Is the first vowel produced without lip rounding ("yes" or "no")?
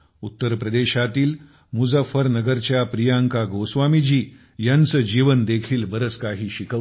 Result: no